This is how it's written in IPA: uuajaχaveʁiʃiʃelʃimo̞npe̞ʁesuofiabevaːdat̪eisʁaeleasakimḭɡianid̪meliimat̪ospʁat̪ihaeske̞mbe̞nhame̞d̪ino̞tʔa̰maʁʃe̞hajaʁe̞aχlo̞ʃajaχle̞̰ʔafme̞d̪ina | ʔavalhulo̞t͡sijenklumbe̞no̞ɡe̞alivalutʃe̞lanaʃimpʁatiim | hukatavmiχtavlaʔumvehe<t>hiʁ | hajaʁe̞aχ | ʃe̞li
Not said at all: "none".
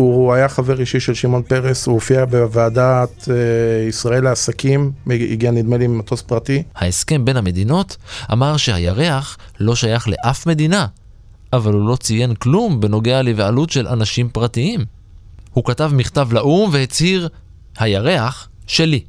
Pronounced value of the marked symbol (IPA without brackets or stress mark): t͡s